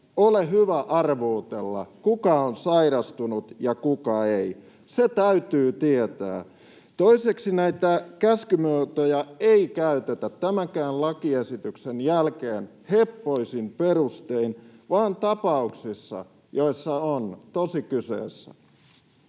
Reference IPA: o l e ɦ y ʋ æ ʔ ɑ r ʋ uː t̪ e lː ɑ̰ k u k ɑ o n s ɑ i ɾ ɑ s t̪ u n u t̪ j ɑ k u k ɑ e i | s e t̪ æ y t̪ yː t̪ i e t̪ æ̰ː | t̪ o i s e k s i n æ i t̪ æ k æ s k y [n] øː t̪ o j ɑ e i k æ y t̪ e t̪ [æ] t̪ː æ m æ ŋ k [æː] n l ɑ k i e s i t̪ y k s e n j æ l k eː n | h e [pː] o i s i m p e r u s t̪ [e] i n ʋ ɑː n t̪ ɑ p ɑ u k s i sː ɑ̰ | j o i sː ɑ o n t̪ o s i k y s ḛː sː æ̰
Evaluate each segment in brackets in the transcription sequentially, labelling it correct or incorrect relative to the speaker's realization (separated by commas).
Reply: incorrect, correct, correct, correct, correct